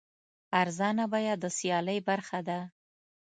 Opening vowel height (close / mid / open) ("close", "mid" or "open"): open